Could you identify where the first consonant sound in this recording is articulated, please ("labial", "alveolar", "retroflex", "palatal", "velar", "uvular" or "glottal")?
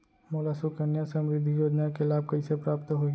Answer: labial